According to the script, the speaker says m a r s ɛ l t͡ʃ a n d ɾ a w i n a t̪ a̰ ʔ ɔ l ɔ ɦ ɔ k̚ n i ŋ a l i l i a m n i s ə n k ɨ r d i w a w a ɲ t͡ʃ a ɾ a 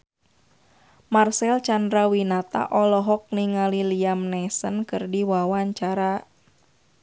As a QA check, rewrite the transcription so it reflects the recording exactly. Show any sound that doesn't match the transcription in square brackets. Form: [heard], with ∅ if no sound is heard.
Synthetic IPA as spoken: m a r s ɛ l t͡ʃ a n d ɾ a w i n a t̪ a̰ ʔ ɔ l ɔ ɦ ɔ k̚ n i ŋ a l i l i a m n [ɛ] s ə n k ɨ r d i w a w a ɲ t͡ʃ a ɾ a